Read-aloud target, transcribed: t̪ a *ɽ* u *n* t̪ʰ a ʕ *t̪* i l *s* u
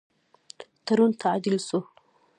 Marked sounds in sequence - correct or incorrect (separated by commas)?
incorrect, correct, incorrect, correct